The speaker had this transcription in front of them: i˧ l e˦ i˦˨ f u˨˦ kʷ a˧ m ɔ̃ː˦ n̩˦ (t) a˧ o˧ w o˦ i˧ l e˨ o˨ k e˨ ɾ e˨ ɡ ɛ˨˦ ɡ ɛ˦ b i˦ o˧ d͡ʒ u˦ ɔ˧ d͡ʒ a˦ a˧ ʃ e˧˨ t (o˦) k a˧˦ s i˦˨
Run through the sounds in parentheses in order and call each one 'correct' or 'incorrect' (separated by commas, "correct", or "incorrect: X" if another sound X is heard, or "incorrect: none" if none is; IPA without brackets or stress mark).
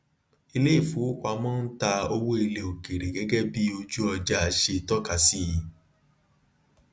correct, incorrect: ɔ˦